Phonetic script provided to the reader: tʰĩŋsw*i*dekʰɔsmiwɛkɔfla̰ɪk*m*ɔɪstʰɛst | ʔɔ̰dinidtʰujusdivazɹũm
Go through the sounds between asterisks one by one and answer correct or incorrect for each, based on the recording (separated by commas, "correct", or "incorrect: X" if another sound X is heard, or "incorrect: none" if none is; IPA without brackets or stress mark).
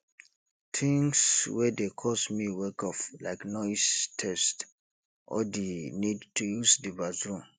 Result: incorrect: ɛ, incorrect: n